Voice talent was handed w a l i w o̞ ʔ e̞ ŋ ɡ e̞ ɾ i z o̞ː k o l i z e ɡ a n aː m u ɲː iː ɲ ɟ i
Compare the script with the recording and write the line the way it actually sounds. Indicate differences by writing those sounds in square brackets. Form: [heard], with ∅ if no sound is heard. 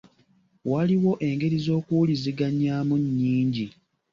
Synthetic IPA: w a l i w o̞ ʔ e̞ ŋ ɡ e̞ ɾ i z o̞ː k [u] l i z [i] ɡ a [ɲ] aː m u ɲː iː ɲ ɟ i